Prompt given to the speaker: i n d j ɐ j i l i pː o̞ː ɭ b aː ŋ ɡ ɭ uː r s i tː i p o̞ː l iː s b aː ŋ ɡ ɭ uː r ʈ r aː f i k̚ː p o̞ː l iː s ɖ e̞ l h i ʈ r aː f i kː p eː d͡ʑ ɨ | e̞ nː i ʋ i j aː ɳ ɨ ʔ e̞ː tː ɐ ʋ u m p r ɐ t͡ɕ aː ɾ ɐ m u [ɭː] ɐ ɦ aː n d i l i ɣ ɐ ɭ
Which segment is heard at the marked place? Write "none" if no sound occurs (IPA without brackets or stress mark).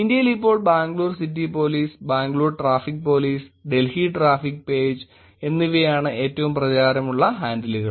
ɭː